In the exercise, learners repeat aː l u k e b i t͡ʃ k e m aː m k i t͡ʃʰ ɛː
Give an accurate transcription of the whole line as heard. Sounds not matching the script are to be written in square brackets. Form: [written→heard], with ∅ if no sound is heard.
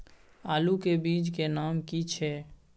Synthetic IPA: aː l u k e b [i→iː] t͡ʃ k e [m→n] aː m k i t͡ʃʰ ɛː

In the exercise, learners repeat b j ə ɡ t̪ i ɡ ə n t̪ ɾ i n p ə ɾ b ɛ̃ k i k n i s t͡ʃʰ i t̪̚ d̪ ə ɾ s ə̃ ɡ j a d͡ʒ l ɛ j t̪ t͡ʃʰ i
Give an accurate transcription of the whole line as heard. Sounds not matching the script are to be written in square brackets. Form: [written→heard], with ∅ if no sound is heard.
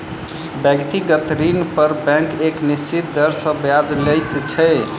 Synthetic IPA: b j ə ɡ t̪ i ɡ ə [n→∅] t̪ ɾ i n p ə ɾ b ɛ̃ k [i→e] k n i s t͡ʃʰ i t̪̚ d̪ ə ɾ s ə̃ [ɡ→b] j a d͡ʒ l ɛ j t̪ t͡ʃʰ [i→ɛ]

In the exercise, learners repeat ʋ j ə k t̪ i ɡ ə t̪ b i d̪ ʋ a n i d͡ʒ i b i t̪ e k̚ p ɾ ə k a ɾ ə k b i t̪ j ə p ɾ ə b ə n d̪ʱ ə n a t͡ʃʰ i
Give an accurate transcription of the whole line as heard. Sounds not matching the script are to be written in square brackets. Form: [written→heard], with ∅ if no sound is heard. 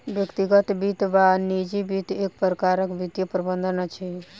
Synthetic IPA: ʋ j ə k t̪ i ɡ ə t̪ b i [d̪→t̪] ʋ a n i d͡ʒ i b i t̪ e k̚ p ɾ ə k a ɾ ə k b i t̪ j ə p ɾ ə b ə n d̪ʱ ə n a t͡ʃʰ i

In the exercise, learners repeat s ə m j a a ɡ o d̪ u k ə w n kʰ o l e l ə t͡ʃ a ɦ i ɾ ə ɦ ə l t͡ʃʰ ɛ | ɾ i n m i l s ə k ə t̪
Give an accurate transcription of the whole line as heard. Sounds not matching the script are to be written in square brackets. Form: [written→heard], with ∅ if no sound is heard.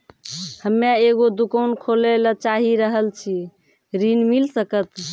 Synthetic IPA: [s→h] ə m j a [a→e] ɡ o d̪ u k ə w n kʰ o l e l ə t͡ʃ a ɦ i ɾ ə ɦ ə l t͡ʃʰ [ɛ→i] | ɾ i n m i l s ə k ə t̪

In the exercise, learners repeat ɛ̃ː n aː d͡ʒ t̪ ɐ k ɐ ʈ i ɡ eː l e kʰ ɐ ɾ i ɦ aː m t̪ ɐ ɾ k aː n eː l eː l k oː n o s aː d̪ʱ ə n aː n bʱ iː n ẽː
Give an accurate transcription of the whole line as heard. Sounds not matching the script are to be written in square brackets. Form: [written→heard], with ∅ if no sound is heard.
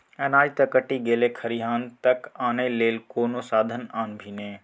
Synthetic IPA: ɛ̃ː n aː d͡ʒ t̪ ɐ k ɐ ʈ i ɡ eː l e kʰ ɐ ɾ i ɦ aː [m→n] t̪ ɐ [ɾ→∅] k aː n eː l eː l k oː n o s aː d̪ʱ ə n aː n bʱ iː n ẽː

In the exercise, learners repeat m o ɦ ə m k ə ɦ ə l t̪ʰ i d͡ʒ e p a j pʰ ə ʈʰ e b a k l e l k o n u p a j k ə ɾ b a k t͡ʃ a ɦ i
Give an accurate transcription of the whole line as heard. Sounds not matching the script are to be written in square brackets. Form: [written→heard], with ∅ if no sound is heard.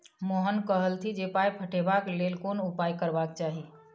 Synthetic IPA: m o ɦ ə [m→n] k ə ɦ ə l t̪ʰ i d͡ʒ e p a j pʰ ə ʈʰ e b a k l e l k o n u p a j k ə ɾ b a k t͡ʃ a ɦ i

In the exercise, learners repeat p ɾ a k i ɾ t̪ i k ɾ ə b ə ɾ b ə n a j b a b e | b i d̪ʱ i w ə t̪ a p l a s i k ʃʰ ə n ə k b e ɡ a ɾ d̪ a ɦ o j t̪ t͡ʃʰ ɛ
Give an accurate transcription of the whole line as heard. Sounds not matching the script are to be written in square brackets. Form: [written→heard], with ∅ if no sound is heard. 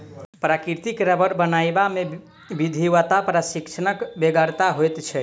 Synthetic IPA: p ɾ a k i ɾ t̪ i k ɾ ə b ə ɾ b ə n a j b a [b→m] e | b i d̪ʱ i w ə t̪ a p [l→ɾ] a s i k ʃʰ ə n ə k b e ɡ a ɾ [d̪→t̪] a ɦ o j t̪ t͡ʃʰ ɛ

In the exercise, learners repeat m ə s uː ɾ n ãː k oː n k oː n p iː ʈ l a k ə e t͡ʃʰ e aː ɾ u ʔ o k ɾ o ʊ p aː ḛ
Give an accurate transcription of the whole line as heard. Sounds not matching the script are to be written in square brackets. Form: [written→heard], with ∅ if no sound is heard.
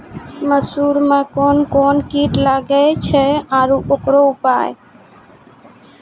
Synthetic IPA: m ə s uː ɾ [n→m] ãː k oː n k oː n [p→k] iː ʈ l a [k→ɡ] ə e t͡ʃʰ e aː ɾ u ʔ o k ɾ o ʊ p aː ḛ

